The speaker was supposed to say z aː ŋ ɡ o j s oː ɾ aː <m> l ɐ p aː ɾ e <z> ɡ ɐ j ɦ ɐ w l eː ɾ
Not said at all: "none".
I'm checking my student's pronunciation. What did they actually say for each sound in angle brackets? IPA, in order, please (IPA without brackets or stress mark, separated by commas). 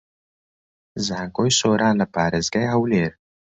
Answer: n, z